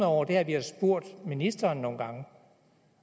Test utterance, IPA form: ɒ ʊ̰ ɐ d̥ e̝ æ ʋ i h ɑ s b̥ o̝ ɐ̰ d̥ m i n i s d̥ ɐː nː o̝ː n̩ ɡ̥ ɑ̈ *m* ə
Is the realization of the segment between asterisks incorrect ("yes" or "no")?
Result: yes